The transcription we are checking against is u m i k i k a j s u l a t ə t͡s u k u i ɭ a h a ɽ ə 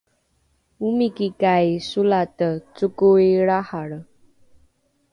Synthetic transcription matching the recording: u m i k i k a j s u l a t ə t͡s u k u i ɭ a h a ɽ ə